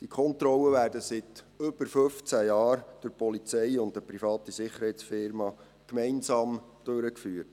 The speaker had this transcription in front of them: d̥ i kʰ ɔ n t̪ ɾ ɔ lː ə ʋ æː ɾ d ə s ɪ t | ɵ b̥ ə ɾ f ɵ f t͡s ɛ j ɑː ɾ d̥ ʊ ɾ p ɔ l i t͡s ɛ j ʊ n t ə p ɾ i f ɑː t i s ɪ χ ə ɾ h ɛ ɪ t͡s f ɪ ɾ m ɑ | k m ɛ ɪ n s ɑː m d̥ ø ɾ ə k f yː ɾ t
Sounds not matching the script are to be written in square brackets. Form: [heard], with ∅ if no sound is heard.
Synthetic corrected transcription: d̥ i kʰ ɔ n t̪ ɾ ɔ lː ə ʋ æː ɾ d ə s ɪ t | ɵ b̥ ə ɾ f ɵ f t͡s [æ] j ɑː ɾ d̥ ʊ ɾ p ɔ l i t͡s ɛ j ʊ n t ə p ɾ i f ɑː t i s ɪ χ ə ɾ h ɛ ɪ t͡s f ɪ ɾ m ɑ | k m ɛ ɪ n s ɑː m d̥ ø ɾ ə k f yː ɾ t

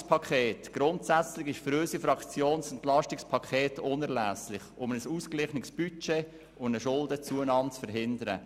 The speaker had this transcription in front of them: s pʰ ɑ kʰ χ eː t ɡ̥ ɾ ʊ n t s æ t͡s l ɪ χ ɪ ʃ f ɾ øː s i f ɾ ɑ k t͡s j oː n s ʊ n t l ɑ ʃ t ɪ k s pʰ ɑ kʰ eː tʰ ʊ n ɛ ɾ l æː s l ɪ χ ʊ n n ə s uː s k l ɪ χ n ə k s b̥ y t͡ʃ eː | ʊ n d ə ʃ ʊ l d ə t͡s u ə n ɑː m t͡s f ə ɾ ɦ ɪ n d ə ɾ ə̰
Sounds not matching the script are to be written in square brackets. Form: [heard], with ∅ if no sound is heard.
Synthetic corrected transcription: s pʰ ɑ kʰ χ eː t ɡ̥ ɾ ʊ n t s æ t͡s l ɪ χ ɪ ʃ f ɾ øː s i f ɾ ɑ k t͡s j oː n s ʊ n t l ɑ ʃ t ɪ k s pʰ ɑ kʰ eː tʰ ʊ n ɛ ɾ l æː s l ɪ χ ʊ [m] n ə s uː s k l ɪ χ n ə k s b̥ y t͡ʃ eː | ʊ n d ə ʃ ʊ l d ə t͡s u ə n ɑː m t͡s f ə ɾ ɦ ɪ n d ə ɾ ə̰

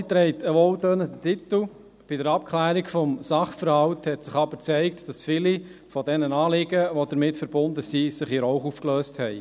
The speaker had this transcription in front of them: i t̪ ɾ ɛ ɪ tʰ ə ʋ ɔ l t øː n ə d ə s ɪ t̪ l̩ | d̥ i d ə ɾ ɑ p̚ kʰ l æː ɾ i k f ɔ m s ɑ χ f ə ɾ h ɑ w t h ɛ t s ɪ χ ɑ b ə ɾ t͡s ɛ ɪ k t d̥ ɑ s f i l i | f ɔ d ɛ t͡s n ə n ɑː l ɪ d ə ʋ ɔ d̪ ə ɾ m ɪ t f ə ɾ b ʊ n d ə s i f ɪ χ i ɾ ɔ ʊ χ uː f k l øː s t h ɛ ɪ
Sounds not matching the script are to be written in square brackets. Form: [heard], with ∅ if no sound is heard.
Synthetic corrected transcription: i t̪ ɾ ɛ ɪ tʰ ə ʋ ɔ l t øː n ə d ə [t] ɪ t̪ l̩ | [b̥] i d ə ɾ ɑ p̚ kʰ l æː ɾ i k f ɔ m s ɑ χ f ə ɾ h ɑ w t h ɛ t s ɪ χ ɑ b ə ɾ t͡s ɛ ɪ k t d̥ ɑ s f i l i | f ɔ d ɛ [∅] n ə n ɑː l ɪ [ɡ] ə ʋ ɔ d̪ ə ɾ m ɪ t f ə ɾ b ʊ n d ə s i [s] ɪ χ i ɾ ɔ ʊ χ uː f k l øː s t h ɛ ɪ

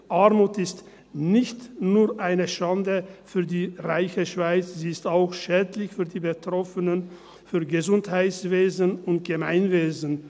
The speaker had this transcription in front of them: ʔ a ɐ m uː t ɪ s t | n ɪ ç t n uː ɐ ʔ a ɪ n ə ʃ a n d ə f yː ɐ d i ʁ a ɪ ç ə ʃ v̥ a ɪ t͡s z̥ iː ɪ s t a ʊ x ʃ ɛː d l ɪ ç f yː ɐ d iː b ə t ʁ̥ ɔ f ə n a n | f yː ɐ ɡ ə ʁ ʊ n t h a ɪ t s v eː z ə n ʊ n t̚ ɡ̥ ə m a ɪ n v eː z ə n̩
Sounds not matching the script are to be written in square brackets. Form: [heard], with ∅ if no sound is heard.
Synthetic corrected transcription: ʔ a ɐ m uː t ɪ s t | n ɪ ç t n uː ɐ ʔ a ɪ n ə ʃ a n d ə f yː ɐ d [iː] ʁ a ɪ ç ə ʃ v̥ a ɪ t͡s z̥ iː ɪ s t a ʊ x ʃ ɛː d l ɪ ç f yː ɐ d iː b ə t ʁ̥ ɔ f ə n [ə] n | f yː ɐ ɡ ə [z] ʊ n t h a ɪ t s v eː z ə n ʊ n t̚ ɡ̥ ə m a ɪ n v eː z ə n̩

